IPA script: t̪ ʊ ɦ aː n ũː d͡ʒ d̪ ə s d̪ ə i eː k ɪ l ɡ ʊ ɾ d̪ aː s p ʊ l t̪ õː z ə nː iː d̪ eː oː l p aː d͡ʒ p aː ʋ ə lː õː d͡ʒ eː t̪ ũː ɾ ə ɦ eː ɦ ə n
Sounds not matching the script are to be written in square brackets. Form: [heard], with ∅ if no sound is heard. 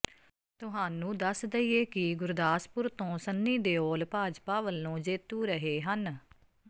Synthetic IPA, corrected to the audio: t̪ ʊ ɦ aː n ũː [∅] d̪ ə s d̪ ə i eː k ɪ [∅] ɡ ʊ ɾ d̪ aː s p ʊ [ɾ] t̪ õː [s] ə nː iː d̪ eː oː l p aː d͡ʒ p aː ʋ ə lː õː d͡ʒ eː t̪ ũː ɾ ə ɦ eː ɦ ə n